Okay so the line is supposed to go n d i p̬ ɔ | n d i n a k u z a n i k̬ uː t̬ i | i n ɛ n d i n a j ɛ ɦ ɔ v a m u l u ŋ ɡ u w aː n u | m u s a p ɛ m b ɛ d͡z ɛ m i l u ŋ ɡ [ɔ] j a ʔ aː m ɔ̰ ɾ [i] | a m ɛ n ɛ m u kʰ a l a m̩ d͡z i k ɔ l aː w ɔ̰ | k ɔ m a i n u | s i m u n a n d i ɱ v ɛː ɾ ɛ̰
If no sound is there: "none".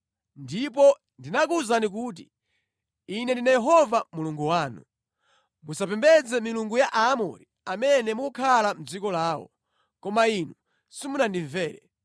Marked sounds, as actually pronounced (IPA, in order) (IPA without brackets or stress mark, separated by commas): u, i